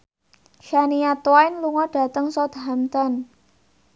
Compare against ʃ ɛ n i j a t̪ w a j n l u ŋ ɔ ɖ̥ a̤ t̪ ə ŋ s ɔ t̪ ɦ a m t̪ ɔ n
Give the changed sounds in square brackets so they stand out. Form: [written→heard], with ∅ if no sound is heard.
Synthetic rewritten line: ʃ [ɛ→a] n i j a t̪ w a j n l u ŋ ɔ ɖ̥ a̤ t̪ ə ŋ s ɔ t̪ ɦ a m t̪ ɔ n